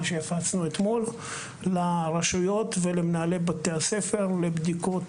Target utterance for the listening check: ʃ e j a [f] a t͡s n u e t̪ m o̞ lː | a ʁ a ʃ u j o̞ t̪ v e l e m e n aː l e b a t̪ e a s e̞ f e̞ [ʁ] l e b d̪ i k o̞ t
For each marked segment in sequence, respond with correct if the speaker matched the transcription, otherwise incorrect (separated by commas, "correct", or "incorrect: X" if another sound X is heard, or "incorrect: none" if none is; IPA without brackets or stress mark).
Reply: correct, correct